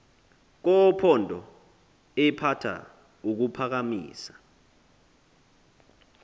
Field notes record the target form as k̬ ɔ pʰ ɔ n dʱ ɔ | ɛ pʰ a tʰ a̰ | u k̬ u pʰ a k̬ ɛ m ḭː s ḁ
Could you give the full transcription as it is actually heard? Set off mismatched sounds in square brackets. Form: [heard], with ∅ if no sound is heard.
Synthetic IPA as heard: k̬ ɔ pʰ ɔ n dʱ ɔ | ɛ pʰ a tʰ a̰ | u k̬ u pʰ a k̬ [a] m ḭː s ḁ